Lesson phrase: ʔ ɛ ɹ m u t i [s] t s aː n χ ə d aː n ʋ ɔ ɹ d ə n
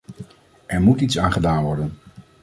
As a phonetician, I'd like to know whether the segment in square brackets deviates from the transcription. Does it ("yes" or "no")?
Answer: yes